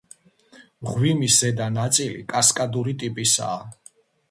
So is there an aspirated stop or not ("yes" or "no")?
no